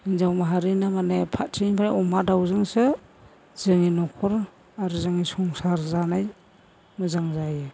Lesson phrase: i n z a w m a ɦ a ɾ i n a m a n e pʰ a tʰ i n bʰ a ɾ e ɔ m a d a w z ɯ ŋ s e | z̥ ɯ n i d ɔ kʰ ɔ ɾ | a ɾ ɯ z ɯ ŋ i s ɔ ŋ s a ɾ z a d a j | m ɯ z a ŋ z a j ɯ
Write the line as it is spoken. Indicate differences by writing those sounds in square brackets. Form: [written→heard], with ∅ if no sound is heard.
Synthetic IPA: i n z a w m a ɦ a ɾ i n a m a n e pʰ a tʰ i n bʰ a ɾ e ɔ m a d a w z ɯ ŋ s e | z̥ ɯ [n→ŋ] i [d→n] ɔ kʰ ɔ ɾ | a ɾ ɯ z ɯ ŋ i s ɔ ŋ s a ɾ z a [d→n] a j | m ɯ z a ŋ z a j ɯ